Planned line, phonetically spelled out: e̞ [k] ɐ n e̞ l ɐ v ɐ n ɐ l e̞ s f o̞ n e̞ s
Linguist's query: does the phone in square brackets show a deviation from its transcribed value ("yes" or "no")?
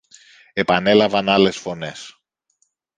yes